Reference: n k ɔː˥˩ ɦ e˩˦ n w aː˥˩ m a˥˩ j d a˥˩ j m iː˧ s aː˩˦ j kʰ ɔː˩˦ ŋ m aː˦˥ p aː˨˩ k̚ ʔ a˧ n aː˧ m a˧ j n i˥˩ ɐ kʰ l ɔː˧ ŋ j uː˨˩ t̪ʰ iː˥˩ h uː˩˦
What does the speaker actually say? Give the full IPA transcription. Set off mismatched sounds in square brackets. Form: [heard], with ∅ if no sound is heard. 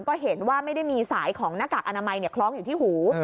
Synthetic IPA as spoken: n k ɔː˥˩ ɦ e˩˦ n w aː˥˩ m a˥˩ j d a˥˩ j m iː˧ s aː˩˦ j kʰ ɔː˩˦ ŋ [n] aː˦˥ [k] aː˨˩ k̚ ʔ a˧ n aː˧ m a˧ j n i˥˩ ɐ kʰ l [ɔː˦˥] ŋ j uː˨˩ t̪ʰ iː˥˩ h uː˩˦

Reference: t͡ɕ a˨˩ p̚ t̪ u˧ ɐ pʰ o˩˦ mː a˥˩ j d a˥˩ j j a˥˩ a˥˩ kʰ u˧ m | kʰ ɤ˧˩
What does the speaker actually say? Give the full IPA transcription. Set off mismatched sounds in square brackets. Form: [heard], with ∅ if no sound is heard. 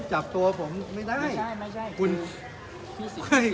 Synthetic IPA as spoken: t͡ɕ a˨˩ p̚ t̪ u˧ ɐ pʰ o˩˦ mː a˥˩ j d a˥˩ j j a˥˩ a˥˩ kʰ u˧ [n] | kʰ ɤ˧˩

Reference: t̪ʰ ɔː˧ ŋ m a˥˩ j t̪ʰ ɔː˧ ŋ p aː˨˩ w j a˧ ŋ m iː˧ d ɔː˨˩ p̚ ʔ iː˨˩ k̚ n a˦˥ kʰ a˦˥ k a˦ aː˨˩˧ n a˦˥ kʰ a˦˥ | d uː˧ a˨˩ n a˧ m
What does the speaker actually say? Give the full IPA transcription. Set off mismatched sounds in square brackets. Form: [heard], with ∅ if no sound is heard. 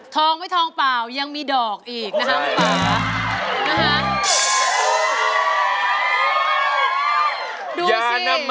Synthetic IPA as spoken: t̪ʰ ɔː˧ ŋ m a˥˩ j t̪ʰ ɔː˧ ŋ p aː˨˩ w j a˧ ŋ m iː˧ d ɔː˨˩ [k̚] ʔ iː˨˩ k̚ n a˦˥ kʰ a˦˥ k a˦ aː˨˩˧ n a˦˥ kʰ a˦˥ | d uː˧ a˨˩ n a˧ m

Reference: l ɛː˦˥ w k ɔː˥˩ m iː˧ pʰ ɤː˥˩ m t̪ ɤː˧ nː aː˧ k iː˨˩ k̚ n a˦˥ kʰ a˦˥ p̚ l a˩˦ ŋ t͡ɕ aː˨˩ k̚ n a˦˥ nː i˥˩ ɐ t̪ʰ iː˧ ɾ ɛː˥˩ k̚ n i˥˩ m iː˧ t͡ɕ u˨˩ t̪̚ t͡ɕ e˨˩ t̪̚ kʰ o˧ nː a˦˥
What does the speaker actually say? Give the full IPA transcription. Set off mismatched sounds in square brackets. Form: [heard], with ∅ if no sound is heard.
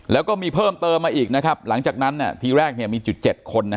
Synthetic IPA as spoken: l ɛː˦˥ w k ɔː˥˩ m iː˧ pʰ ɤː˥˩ m t̪ ɤː˧ [mː] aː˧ [ʔ] iː˨˩ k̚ n a˦˥ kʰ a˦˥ p̚ l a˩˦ ŋ t͡ɕ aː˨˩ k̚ n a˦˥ nː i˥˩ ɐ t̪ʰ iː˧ ɾ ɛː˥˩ k̚ n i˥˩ m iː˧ t͡ɕ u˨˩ t̪̚ t͡ɕ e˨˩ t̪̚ kʰ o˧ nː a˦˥

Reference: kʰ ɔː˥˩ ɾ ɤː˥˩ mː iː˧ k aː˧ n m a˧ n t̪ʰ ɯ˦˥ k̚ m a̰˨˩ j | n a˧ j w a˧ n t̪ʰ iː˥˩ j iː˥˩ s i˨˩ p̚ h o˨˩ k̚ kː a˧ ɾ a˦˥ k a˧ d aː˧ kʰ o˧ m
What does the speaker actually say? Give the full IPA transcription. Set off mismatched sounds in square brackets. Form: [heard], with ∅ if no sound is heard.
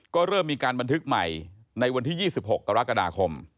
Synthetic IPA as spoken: [k] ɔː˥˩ ɾ ɤː˥˩ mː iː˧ k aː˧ n [b] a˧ n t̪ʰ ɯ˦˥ k̚ m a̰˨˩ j | n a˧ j w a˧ n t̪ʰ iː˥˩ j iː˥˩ s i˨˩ p̚ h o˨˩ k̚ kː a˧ ɾ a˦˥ k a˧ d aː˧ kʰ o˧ m

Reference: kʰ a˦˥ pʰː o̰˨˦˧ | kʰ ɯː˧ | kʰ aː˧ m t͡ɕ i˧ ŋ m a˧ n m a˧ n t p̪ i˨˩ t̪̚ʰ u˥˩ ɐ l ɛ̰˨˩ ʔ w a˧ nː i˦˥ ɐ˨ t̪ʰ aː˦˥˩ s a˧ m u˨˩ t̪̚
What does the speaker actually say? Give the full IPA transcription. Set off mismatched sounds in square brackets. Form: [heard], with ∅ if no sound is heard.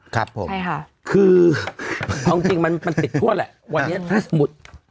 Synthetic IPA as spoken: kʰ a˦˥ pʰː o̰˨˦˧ | kʰ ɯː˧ | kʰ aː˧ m t͡ɕ i˧ ŋ m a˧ n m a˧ n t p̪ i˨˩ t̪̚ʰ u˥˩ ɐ l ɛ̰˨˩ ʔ w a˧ nː i˦˥ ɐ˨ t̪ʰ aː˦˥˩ s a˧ m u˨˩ t̪̚

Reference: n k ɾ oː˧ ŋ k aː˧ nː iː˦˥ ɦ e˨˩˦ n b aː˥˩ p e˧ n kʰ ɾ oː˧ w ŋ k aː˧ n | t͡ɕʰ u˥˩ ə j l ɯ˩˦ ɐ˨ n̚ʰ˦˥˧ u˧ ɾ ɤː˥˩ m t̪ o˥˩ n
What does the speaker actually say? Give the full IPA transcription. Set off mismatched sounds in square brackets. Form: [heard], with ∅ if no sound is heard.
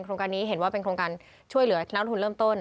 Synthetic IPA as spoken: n k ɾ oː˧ ŋ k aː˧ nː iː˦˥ ɦ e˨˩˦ n [w] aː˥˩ p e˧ n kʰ ɾ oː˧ [∅] ŋ k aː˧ n | t͡ɕʰ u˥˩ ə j l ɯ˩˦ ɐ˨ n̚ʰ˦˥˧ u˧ ɾ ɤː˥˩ m t̪ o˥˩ n

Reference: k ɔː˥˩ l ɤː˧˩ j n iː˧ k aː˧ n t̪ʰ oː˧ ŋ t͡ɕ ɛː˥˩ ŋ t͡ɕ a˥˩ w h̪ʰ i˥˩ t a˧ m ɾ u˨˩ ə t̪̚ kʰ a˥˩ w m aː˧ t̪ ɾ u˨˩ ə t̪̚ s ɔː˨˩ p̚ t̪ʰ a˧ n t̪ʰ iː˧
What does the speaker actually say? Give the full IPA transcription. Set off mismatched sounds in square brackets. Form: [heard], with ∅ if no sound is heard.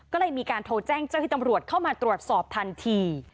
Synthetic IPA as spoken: k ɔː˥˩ l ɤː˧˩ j [m] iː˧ k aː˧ n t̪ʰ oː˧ [∅] t͡ɕ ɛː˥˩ ŋ t͡ɕ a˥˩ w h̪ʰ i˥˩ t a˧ m ɾ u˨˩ ə t̪̚ kʰ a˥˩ w m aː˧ t̪ ɾ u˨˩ ə t̪̚ s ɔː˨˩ p̚ t̪ʰ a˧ n t̪ʰ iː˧

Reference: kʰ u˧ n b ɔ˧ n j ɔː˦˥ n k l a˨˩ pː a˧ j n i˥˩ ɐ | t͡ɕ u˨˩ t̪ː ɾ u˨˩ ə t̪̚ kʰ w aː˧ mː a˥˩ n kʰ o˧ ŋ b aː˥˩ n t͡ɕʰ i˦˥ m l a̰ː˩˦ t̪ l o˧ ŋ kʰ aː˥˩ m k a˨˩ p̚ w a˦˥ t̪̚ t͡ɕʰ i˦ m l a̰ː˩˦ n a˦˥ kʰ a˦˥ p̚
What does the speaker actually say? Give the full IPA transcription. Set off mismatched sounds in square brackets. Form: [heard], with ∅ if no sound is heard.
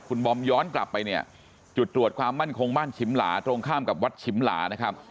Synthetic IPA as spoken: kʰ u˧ n b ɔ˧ [m] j ɔː˦˥ n k l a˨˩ pː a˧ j n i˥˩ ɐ | t͡ɕ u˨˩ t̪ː ɾ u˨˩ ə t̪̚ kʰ w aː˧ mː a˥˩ n kʰ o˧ ŋ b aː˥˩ n t͡ɕʰ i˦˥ m l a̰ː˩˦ t̪ [ɾ] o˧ ŋ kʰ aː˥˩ m k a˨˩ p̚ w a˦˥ t̪̚ t͡ɕʰ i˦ m l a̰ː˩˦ n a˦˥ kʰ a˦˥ p̚

